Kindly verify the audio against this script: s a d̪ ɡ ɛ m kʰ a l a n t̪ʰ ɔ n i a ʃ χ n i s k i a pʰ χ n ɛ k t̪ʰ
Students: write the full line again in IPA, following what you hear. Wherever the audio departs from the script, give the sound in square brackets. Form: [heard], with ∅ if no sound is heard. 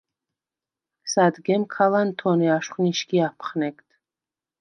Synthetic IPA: s a d̪ ɡ ɛ m kʰ a l a n t̪ʰ ɔ n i a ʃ χ n i [ʃ] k i a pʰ χ n ɛ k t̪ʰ